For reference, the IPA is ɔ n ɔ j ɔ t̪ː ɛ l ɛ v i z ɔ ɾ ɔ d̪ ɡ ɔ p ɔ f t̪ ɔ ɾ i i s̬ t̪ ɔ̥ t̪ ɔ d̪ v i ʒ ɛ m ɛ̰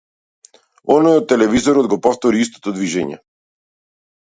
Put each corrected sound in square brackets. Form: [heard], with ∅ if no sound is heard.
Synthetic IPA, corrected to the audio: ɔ n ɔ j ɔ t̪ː ɛ l ɛ v i z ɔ ɾ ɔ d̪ ɡ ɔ p ɔ f t̪ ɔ ɾ i i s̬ t̪ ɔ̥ t̪ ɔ d̪ v i ʒ ɛ [ɲ] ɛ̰